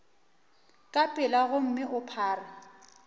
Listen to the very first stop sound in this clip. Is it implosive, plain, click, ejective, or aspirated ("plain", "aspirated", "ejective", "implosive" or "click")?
ejective